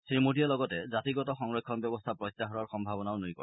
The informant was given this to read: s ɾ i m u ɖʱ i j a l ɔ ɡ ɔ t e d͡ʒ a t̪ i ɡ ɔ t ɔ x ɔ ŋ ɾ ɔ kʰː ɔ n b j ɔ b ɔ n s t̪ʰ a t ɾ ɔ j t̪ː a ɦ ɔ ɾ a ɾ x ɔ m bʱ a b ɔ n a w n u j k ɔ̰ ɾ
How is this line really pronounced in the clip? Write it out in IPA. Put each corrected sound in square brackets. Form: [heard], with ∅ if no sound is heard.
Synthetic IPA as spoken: s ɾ i m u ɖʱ i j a l ɔ ɡ ɔ t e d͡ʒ a t̪ i ɡ ɔ t ɔ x ɔ ŋ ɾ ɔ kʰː ɔ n b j ɔ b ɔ [∅] s t̪ʰ a [p] ɾ ɔ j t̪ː a ɦ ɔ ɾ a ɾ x ɔ m bʱ a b ɔ n a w n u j k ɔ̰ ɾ